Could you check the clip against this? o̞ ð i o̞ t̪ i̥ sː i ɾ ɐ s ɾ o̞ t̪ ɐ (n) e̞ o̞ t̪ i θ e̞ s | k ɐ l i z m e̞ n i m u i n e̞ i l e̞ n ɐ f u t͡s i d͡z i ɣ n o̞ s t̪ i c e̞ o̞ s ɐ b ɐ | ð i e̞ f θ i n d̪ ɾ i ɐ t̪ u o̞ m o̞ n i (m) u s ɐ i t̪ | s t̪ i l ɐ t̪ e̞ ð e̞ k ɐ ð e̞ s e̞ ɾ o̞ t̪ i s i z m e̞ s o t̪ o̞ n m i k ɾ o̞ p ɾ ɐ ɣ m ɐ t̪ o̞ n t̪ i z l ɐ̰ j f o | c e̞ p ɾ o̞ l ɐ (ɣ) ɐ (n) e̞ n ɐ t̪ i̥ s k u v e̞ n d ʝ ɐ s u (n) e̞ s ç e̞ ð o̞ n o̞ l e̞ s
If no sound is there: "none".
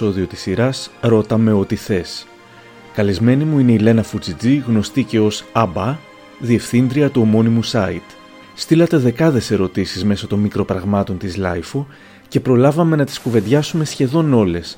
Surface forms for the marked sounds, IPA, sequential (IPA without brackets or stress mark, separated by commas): m, m, v, m, m